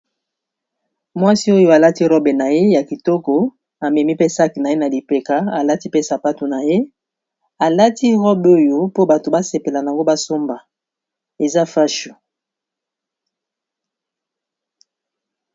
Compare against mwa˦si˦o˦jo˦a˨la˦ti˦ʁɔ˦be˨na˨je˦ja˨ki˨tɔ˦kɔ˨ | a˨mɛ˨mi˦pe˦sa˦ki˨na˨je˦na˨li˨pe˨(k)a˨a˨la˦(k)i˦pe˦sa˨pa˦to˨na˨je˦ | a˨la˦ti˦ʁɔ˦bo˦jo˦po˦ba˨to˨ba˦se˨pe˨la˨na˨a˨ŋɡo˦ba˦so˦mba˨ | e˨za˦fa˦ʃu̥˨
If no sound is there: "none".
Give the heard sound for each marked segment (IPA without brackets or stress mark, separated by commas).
k, t